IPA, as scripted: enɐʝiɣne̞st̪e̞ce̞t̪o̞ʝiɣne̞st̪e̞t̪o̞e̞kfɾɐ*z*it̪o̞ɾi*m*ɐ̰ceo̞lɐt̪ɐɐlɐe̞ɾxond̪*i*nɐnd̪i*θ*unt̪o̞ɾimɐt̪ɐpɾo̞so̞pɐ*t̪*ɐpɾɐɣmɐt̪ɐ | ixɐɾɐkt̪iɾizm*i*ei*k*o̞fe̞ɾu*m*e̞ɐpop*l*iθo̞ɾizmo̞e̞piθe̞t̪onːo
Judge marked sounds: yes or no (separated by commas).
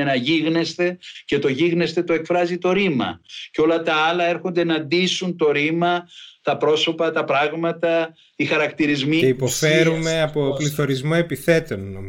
yes, yes, no, no, yes, yes, no, yes, yes